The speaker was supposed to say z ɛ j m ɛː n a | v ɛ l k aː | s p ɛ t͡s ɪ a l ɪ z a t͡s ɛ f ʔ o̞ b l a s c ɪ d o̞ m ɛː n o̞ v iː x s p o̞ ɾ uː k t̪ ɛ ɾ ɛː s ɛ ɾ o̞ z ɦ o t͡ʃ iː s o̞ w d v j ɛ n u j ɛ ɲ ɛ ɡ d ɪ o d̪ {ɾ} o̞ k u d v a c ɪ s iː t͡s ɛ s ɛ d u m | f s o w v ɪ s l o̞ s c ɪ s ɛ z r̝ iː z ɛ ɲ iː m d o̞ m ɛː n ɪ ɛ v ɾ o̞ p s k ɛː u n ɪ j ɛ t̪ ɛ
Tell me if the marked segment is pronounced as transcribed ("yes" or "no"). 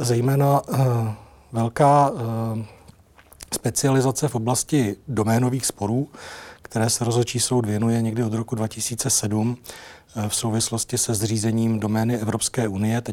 yes